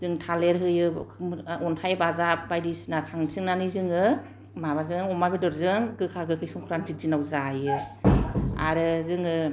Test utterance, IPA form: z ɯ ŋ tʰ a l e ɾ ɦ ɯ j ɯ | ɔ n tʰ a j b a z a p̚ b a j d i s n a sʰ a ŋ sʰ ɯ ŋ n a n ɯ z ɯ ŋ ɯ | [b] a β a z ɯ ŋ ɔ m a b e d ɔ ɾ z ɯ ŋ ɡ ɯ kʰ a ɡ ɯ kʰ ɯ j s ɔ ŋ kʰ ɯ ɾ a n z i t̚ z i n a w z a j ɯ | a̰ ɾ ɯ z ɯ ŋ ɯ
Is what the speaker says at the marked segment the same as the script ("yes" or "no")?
no